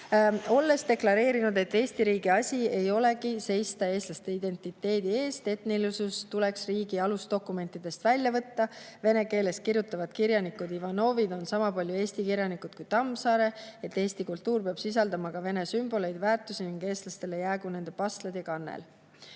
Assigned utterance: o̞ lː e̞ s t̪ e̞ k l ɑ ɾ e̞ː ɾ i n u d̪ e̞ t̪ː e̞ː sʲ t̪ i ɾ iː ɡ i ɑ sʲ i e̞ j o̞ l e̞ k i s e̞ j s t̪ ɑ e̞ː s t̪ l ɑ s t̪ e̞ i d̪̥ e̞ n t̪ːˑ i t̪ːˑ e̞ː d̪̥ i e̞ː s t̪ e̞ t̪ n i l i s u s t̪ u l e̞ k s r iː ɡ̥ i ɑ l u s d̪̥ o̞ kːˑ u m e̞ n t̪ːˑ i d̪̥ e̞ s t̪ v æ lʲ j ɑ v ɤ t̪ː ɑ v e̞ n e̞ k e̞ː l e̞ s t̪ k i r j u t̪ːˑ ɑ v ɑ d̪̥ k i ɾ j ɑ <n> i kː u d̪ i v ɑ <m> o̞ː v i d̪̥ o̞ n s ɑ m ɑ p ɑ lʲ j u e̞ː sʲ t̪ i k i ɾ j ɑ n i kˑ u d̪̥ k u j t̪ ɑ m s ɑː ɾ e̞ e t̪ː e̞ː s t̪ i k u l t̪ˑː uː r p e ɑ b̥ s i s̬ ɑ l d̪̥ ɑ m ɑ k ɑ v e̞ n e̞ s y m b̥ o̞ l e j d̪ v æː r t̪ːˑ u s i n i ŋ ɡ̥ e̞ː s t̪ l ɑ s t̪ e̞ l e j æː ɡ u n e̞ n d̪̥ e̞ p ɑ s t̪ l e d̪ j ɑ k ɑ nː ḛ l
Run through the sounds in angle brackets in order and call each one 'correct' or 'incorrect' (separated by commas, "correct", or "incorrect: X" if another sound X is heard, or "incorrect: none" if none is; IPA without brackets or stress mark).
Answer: correct, incorrect: n